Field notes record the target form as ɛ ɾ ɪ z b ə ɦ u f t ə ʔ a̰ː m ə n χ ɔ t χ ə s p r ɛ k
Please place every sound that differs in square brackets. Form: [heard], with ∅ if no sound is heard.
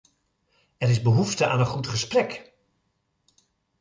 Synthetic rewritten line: ɛ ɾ ɪ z b ə ɦ u f t ə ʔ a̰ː [n] ə n χ [u] t χ ə s p r ɛ k